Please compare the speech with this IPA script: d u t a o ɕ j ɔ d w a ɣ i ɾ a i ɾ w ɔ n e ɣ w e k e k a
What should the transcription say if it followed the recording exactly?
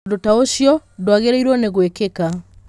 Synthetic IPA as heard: d o t a o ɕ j ɔ d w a ɣ e ɾ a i ɾ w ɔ n e ɣ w e k e k a